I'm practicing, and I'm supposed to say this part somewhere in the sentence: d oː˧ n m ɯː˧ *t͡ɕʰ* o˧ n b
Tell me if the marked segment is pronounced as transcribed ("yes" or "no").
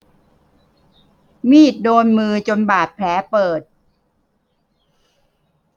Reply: no